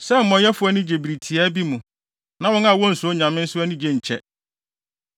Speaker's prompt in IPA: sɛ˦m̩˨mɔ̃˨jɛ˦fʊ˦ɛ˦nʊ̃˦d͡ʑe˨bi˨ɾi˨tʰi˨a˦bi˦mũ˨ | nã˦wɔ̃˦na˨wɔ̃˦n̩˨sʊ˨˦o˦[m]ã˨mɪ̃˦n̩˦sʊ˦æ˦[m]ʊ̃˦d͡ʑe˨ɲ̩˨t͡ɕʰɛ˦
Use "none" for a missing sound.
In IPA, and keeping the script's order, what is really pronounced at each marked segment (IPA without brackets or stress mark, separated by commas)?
ɲ, n